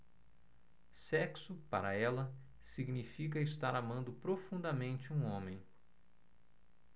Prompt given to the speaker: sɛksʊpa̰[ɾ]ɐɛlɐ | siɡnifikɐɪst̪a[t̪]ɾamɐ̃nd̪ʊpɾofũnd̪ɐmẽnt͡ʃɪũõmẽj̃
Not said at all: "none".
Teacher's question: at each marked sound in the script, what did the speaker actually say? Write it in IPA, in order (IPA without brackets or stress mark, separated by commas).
ɾ, none